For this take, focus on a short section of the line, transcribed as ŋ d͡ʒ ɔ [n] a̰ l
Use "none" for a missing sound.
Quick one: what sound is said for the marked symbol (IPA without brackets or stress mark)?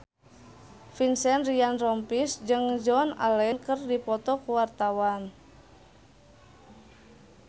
n